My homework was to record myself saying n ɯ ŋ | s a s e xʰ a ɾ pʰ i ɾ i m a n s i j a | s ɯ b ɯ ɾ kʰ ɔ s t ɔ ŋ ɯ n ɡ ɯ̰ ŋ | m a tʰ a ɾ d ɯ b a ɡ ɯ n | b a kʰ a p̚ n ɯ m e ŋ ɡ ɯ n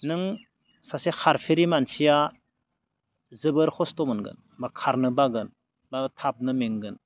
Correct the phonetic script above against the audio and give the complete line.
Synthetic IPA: n ɯ ŋ | s a s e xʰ a ɾ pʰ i ɾ i m a n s i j a | z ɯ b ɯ ɾ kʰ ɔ s t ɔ m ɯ n ɡ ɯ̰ n | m a kʰ a ɾ n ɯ b a ɡ ɯ n | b a tʰ a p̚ n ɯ m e ŋ ɡ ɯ n